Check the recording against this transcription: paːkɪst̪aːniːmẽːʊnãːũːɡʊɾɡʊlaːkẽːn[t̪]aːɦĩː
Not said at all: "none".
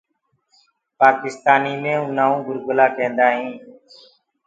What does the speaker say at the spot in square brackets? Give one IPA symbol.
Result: d̪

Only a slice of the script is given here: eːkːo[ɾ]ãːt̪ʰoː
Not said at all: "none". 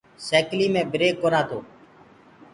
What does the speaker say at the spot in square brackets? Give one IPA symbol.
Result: ɾ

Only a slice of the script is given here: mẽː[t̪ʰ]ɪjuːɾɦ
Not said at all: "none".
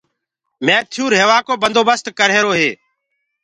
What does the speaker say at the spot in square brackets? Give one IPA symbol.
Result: t̪ʰ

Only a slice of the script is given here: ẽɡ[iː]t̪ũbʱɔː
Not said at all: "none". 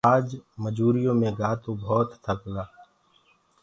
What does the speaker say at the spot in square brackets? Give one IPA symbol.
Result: aː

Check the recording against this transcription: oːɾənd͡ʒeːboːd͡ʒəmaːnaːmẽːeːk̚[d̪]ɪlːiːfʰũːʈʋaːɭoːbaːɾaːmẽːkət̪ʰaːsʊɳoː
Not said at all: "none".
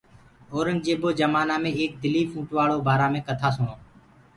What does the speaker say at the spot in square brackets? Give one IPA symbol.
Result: d̪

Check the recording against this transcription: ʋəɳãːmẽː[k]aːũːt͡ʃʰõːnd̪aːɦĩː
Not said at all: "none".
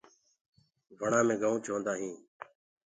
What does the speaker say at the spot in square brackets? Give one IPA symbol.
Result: ɡ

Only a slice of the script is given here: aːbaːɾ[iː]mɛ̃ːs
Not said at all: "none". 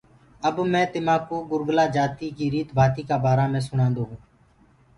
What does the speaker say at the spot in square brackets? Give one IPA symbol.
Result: aː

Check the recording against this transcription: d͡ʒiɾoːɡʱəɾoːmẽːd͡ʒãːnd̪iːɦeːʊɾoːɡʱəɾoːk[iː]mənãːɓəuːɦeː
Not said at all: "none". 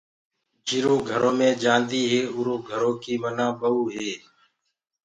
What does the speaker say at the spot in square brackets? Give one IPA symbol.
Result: iː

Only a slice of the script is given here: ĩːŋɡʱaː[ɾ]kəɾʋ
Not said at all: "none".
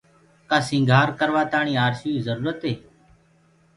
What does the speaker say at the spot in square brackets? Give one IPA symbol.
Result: ɾ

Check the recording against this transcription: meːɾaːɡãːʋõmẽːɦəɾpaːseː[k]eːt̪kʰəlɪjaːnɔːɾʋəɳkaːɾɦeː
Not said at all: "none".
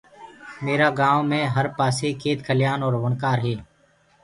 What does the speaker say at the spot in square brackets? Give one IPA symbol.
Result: kʰ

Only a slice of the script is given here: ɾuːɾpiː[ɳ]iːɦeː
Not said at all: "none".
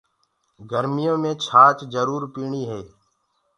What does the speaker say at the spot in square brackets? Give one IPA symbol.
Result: ɳ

